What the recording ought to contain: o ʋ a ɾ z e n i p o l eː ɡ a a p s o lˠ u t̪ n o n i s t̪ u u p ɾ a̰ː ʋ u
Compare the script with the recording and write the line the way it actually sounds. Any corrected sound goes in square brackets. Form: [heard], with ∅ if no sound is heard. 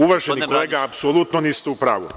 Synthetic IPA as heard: [u] ʋ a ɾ [ʒ] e n i [k] o l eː ɡ a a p s o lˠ u t̪ n o n i s t̪ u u p ɾ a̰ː ʋ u